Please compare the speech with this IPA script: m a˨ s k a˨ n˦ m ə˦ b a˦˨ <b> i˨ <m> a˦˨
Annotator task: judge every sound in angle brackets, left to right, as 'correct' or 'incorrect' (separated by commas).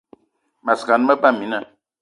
incorrect, incorrect